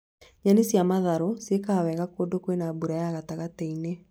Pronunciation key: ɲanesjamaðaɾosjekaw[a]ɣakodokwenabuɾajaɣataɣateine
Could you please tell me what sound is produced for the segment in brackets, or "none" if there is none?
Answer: ɛ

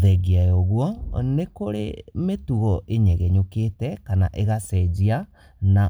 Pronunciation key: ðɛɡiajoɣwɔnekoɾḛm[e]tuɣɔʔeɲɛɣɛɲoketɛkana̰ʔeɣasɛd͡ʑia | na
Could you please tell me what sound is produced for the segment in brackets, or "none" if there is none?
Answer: e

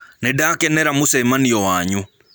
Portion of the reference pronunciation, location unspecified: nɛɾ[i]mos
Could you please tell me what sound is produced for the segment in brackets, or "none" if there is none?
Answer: a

